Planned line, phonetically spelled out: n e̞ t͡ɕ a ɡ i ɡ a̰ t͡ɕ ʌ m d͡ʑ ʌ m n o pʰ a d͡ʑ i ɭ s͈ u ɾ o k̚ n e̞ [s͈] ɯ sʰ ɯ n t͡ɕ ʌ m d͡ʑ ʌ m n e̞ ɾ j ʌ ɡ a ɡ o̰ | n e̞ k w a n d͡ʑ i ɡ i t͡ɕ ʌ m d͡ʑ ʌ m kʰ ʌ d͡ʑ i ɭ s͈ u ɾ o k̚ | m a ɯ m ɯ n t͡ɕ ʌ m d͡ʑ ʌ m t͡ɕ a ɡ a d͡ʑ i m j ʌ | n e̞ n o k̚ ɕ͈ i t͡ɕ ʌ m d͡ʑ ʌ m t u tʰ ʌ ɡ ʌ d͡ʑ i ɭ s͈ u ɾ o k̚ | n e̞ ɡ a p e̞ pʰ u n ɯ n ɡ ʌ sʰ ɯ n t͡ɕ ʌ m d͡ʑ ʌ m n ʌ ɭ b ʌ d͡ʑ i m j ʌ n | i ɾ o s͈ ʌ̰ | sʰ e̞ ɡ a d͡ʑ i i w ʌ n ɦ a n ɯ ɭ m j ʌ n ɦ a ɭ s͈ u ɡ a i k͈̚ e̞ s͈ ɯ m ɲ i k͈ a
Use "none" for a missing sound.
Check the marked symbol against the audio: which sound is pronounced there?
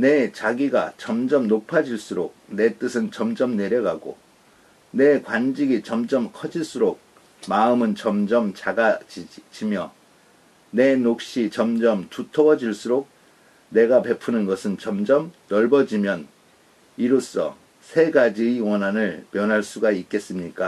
t͈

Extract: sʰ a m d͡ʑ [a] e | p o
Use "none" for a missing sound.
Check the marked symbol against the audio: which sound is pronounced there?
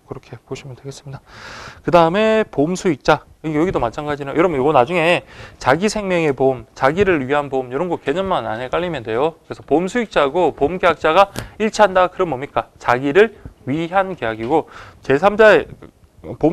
a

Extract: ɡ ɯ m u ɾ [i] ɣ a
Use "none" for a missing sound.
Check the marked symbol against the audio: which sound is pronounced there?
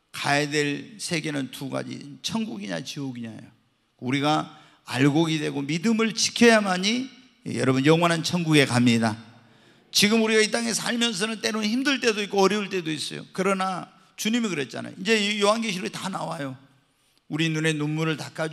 i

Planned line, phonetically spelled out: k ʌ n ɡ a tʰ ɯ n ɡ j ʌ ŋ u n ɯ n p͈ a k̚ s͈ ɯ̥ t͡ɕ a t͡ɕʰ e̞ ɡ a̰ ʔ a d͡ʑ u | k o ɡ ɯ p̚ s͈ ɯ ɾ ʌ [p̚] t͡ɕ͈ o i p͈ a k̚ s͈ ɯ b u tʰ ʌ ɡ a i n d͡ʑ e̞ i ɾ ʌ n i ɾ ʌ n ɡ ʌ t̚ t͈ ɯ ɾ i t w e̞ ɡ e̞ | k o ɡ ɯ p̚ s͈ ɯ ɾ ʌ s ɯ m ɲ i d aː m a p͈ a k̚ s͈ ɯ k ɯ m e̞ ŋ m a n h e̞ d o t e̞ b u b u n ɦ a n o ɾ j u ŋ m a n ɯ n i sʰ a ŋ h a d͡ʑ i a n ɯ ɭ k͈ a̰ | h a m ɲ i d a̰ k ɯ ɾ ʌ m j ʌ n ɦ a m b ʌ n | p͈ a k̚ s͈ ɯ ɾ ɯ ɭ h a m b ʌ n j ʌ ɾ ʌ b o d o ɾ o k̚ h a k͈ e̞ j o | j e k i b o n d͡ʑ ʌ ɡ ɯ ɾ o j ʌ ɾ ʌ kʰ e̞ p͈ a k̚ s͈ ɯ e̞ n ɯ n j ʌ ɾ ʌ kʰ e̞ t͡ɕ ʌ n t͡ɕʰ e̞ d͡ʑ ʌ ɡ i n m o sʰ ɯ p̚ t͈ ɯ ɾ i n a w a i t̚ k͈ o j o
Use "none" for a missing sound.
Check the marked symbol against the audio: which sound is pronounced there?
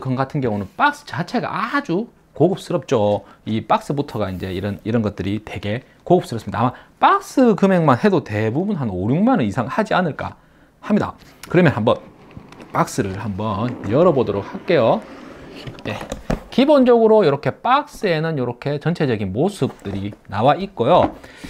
p̚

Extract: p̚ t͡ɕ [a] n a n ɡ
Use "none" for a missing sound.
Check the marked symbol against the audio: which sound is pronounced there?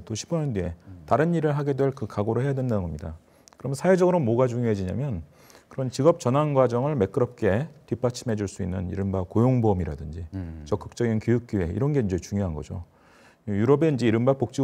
ʌ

